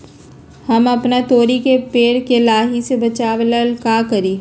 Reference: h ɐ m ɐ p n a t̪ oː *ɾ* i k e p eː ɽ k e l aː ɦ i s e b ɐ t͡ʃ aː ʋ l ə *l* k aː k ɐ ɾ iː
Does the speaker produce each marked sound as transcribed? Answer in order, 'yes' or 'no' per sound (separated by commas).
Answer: yes, yes